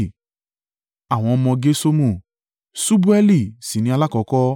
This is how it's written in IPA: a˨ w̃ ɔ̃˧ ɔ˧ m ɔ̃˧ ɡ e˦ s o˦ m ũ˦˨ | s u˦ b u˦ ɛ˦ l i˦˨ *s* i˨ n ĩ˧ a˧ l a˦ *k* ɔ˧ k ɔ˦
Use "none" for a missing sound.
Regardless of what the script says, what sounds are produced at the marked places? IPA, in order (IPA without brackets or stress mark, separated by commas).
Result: s, k